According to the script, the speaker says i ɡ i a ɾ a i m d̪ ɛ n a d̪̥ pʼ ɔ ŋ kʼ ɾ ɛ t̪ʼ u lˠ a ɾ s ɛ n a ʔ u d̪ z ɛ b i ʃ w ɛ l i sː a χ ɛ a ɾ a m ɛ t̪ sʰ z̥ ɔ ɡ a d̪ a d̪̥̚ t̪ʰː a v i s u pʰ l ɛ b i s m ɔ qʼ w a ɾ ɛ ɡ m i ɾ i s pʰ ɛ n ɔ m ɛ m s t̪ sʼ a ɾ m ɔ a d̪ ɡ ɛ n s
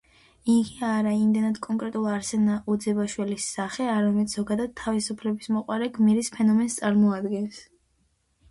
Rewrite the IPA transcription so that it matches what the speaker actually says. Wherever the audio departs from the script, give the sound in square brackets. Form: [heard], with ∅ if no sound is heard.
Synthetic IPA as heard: i ɡ i a ɾ a i m d̪ ɛ n a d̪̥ [kʼ] ɔ ŋ kʼ ɾ ɛ t̪ʼ u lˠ a ɾ s ɛ n a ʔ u d̪ z ɛ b [a] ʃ w ɛ l i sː a χ ɛ a ɾ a m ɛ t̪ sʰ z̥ ɔ ɡ a d̪ a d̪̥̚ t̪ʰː a v i s u pʰ l ɛ b i s m ɔ qʼ w a ɾ ɛ ɡ m i ɾ i s pʰ ɛ n ɔ m ɛ [n] s t̪ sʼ a ɾ m ɔ a d̪ ɡ ɛ n s